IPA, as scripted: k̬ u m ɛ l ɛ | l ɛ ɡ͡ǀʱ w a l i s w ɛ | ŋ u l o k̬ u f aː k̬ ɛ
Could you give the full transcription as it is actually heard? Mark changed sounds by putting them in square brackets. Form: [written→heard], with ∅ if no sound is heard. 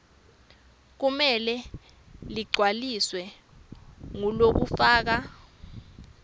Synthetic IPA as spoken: k̬ u m ɛ l ɛ | l [ɛ→i] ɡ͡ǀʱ w a l i s w ɛ | ŋ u l o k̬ u f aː k̬ [ɛ→a]

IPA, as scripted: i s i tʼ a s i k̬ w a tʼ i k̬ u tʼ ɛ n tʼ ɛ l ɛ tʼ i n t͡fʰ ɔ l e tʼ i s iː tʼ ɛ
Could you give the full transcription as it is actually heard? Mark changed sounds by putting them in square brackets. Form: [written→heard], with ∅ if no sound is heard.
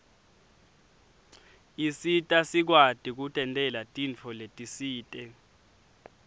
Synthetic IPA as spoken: i s i tʼ a s i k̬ w a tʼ i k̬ u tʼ ɛ n tʼ ɛ l [ɛ→a] tʼ i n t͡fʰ ɔ l e tʼ i s iː tʼ ɛ

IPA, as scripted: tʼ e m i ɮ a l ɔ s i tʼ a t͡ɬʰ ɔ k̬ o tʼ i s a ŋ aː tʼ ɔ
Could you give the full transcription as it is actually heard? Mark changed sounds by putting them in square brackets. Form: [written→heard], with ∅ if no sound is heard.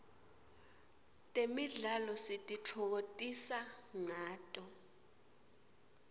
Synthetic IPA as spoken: tʼ e m i ɮ a l ɔ s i tʼ [a→i] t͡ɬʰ ɔ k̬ o tʼ i s a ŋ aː tʼ ɔ

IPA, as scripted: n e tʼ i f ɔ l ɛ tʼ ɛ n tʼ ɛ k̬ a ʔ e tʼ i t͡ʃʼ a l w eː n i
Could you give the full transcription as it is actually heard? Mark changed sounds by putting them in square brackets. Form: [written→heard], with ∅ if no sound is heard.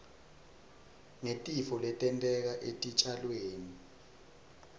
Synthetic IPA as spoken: [n→ŋ] e tʼ i f ɔ l ɛ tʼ ɛ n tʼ ɛ k̬ a ʔ e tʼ i t͡ʃʼ a l w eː n i

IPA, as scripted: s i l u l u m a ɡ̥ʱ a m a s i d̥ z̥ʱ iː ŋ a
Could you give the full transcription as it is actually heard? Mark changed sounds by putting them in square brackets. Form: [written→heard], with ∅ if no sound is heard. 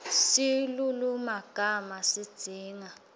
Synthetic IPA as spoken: s i l u l u m a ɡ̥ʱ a m a s i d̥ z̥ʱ iː ŋ a

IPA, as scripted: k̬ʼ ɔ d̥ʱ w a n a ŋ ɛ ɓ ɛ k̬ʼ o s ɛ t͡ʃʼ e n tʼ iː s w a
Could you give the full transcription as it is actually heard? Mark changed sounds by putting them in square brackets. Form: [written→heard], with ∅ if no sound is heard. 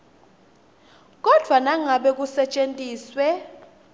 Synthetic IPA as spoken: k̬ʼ ɔ d̥ʱ w a n a ŋ [ɛ→a] ɓ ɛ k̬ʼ [o→u] s ɛ t͡ʃʼ e n tʼ iː s w [a→ɛ]

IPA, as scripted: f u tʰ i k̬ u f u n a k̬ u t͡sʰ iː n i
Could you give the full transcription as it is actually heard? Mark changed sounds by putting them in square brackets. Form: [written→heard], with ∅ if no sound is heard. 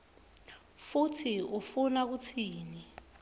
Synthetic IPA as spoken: f u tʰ i [k̬→∅] u f u n a k̬ u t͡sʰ iː n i

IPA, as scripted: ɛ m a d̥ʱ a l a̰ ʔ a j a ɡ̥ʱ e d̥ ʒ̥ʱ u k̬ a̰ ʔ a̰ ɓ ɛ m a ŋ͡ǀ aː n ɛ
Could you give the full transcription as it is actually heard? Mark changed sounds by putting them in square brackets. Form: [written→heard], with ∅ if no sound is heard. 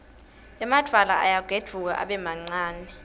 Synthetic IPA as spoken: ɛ m a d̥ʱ a l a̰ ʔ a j a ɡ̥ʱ e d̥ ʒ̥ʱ u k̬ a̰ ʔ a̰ ɓ ɛ m a ŋ͡ǀ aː n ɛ

